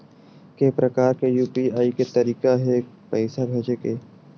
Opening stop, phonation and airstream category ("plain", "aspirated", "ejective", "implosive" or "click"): plain